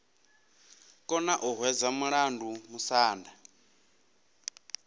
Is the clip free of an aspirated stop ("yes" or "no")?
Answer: yes